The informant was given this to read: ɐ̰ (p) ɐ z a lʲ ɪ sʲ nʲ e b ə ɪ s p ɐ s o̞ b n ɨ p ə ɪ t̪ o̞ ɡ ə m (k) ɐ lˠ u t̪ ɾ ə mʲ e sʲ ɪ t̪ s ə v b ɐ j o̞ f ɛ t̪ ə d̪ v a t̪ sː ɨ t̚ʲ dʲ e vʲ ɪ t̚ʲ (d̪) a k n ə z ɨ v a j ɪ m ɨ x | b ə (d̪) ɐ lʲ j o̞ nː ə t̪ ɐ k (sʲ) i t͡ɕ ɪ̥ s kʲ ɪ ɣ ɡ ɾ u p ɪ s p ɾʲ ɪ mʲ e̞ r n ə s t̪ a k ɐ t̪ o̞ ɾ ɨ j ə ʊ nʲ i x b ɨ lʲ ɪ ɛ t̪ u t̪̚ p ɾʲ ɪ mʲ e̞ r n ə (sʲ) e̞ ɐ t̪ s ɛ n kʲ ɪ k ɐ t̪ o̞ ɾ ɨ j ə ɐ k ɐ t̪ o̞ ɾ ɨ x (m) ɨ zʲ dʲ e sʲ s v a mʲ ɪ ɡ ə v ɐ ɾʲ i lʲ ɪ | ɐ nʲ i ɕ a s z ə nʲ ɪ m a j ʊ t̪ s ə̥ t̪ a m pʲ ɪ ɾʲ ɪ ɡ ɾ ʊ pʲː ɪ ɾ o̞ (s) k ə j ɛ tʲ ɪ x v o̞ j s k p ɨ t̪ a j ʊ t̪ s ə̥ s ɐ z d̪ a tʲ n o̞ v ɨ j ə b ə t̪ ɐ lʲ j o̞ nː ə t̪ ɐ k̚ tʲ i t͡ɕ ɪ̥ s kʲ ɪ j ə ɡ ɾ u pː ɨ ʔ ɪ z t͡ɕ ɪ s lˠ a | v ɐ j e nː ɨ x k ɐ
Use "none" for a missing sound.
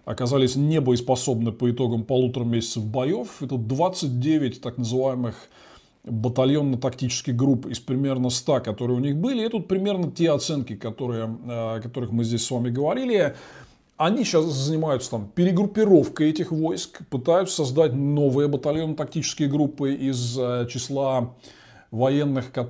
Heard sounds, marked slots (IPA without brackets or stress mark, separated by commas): k, p, t̪, t̪, tʲ, tʲ, m, f